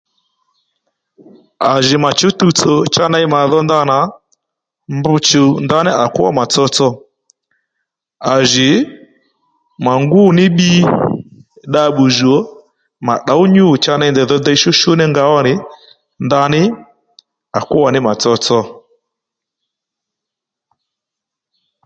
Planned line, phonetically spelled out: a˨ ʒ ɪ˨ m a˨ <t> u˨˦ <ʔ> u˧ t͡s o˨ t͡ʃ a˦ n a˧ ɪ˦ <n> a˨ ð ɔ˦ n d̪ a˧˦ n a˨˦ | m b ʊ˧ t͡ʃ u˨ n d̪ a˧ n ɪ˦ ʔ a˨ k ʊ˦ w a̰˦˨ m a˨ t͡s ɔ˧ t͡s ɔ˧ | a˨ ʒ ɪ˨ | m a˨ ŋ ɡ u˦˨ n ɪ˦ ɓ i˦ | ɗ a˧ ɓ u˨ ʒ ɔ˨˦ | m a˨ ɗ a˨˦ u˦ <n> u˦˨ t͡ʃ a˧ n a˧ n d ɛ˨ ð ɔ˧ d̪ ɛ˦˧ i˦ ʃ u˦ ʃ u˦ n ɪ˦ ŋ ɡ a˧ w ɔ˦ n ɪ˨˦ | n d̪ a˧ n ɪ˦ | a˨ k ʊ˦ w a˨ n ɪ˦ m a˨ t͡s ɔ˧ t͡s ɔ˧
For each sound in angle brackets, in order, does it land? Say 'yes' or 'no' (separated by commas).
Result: no, no, no, no